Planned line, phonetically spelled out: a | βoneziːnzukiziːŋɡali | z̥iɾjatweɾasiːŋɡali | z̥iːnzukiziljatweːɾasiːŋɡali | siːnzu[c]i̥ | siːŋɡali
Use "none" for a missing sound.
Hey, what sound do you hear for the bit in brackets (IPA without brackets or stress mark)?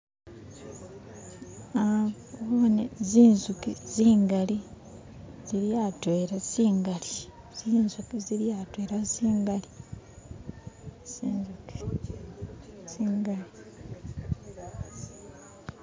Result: k